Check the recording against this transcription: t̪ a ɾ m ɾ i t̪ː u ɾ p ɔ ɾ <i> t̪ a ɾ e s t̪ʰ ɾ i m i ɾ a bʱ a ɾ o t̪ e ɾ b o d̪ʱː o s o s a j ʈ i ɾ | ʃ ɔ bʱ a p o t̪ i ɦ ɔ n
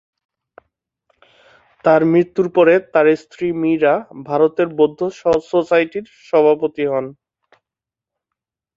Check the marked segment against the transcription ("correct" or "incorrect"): incorrect